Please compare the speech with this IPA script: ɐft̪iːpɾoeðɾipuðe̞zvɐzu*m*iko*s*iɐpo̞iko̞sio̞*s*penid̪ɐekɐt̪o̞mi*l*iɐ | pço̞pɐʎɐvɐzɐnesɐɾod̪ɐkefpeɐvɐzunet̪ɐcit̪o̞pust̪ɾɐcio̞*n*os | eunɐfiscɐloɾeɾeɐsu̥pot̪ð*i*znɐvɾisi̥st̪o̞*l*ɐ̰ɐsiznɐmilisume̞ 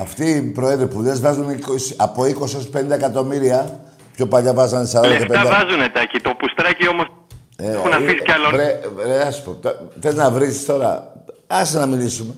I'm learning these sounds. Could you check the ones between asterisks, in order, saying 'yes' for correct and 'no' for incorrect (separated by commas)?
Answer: no, yes, yes, no, no, no, no